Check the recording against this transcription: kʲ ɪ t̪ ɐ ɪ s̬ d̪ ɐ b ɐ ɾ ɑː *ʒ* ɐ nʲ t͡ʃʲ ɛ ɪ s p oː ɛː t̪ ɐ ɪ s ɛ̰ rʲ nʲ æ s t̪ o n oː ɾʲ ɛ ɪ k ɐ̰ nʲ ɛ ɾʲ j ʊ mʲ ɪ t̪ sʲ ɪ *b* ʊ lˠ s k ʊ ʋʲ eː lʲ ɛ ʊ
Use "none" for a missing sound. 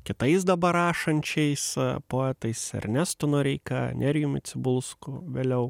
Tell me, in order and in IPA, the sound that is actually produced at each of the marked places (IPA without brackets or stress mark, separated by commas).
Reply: ʃ, b